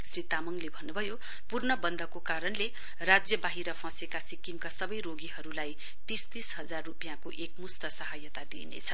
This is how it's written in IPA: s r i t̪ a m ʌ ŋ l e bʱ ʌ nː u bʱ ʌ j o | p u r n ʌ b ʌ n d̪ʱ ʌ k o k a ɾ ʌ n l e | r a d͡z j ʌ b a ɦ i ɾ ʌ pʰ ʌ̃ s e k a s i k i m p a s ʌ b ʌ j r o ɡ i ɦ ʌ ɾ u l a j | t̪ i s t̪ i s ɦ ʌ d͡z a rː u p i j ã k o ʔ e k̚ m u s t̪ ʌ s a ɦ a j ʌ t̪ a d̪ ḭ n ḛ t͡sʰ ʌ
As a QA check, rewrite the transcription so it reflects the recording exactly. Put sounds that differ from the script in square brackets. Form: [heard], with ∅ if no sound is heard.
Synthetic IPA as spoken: s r i t̪ a m ʌ ŋ l e bʱ ʌ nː u bʱ ʌ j o | p u r n ʌ b ʌ n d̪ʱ ʌ k o k a ɾ ʌ n l e | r a d͡z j ʌ b a ɦ i ɾ ʌ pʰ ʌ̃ s e k a s i k i m [k] a s ʌ b ʌ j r o ɡ i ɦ ʌ ɾ u l a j | t̪ i s t̪ i s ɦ ʌ d͡z a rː u p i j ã k o ʔ e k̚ m u s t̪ ʌ s [ʌ] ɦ a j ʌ t̪ a d̪ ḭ n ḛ t͡sʰ ʌ